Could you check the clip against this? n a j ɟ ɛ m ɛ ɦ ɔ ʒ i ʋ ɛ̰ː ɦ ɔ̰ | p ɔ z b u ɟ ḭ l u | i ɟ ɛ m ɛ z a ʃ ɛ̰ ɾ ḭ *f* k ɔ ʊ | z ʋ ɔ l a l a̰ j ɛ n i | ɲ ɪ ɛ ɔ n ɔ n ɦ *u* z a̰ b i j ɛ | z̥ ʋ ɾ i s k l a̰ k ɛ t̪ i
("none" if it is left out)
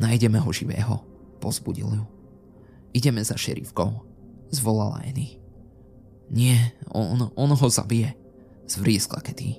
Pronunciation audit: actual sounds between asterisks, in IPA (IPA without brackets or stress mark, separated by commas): f, ɔ